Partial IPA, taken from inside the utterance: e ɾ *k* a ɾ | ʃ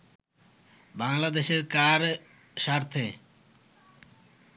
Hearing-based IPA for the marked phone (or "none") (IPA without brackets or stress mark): k